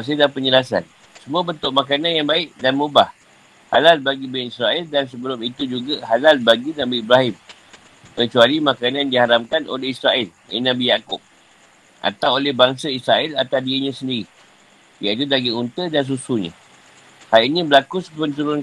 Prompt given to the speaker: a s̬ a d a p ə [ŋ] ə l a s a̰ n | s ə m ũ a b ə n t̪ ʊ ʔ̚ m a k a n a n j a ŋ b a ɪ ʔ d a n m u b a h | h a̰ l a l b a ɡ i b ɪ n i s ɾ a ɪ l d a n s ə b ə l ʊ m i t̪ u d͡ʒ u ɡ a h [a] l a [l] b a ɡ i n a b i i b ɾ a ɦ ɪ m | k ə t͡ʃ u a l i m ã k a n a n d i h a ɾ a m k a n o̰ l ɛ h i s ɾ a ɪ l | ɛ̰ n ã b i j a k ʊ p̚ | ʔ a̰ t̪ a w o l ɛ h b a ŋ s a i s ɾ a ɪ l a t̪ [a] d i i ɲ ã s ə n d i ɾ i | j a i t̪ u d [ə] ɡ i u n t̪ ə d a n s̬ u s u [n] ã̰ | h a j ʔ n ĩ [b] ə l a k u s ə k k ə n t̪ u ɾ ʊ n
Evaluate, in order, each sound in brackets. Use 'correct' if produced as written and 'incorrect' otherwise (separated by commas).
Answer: incorrect, correct, correct, correct, incorrect, incorrect, correct